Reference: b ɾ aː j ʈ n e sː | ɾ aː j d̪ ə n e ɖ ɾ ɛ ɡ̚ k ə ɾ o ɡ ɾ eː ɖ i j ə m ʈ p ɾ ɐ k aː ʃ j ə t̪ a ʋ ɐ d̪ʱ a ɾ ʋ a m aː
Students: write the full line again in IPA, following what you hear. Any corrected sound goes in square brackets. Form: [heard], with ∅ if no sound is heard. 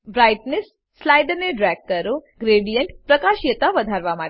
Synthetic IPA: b ɾ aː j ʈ n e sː | [l] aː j d̪ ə n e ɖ ɾ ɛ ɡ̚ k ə ɾ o ɡ ɾ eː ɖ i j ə [ɳ] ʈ p ɾ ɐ k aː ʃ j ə t̪ a ʋ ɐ d̪ʱ a ɾ ʋ a m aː